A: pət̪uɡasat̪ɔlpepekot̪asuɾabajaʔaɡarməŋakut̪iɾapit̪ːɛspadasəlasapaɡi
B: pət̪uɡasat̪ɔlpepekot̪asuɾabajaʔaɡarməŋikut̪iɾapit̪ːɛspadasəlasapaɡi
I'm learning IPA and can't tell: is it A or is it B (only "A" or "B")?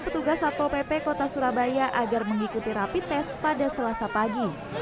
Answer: B